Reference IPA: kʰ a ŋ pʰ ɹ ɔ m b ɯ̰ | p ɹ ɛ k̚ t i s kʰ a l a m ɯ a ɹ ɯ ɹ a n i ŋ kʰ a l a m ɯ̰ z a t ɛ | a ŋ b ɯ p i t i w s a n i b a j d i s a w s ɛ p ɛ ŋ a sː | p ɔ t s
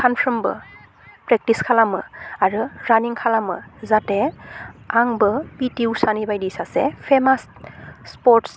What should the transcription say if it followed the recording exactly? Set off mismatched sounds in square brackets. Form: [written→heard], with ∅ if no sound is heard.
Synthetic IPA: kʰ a [ŋ→n] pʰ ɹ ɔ m b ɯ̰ | p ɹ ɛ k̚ t i s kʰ a l a m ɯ a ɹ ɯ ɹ a n i ŋ kʰ a l a m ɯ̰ z a t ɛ | a ŋ b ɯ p i t i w s a n i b a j d i s a [w→∅] s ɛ [p→pʰ] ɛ [ŋ→m] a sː | p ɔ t s